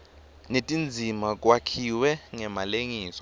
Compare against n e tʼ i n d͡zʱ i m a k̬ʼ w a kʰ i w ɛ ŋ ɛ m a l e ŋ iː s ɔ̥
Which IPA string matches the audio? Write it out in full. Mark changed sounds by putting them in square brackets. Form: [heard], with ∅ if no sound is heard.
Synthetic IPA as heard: n e tʼ i n d͡zʱ i m a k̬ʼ w a kʰ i w ɛ ŋ ɛ m a l e ŋ iː s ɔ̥